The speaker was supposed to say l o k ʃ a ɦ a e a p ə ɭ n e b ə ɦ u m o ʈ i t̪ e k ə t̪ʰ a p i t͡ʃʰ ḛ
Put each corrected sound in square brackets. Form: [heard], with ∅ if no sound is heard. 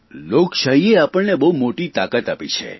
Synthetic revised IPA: l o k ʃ a ɦ [i] e a p ə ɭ n e b ə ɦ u m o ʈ i t̪ [a] k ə [t̪] a p i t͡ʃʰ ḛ